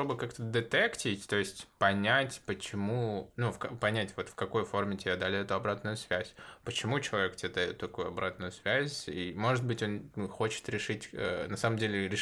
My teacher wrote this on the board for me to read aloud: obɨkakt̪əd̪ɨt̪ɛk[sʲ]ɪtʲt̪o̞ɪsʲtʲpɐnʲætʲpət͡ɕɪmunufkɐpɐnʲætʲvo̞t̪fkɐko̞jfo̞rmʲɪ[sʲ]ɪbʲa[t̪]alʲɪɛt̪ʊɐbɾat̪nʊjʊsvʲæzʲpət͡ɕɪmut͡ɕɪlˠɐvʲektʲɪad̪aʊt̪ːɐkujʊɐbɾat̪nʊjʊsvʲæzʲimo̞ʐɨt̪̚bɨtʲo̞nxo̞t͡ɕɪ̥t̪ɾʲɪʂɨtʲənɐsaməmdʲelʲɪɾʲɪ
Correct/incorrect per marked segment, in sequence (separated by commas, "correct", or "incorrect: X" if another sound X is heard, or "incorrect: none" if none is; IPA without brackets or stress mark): incorrect: tʲ, incorrect: tʲ, incorrect: d̪